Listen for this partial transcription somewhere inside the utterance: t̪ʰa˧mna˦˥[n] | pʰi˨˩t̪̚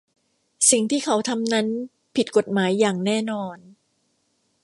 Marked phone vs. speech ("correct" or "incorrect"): correct